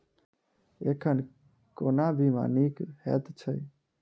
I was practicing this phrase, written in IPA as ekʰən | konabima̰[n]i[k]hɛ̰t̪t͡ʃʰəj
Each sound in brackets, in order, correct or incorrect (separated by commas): correct, correct